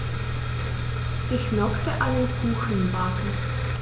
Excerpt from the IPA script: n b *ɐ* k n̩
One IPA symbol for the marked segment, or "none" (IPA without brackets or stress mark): a